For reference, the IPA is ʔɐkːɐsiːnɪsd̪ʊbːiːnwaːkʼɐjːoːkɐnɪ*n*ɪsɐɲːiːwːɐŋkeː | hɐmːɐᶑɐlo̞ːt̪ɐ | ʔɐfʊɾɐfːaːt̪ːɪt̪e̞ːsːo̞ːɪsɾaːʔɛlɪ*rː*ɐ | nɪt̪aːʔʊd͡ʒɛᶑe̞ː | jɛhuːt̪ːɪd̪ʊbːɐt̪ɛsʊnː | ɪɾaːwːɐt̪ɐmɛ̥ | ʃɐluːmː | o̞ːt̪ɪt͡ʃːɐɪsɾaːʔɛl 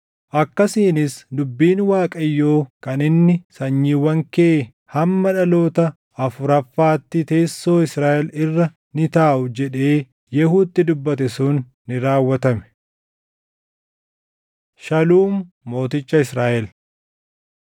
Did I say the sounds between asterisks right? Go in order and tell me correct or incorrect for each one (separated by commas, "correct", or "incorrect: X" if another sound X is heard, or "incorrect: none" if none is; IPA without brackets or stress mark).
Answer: incorrect: nː, correct